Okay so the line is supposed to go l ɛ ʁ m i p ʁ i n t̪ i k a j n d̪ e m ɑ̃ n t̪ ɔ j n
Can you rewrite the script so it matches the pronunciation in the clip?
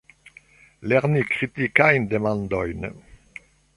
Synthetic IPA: l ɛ ʁ n i k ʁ i t̪ i k a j n d̪ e m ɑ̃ n d̪ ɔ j n